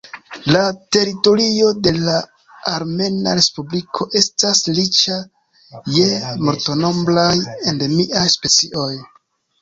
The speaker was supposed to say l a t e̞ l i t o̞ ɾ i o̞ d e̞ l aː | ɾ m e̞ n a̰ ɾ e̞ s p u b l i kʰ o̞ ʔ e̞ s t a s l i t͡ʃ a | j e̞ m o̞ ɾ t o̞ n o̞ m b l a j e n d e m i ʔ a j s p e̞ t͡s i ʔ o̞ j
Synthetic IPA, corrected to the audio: l a t e̞ ɾ i t o̞ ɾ i o̞ d e̞ l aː | ɾ m e̞ n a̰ ɾ e̞ s p u b l i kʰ o̞ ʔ e̞ s t a s l i t͡ʃ a | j e̞ m o̞ ɾ t o̞ n o̞ m b l a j e n d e m i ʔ a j s p e̞ t͡s i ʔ o̞ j